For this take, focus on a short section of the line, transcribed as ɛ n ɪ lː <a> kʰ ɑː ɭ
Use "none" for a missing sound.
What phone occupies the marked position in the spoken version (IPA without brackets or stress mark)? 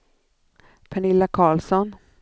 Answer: a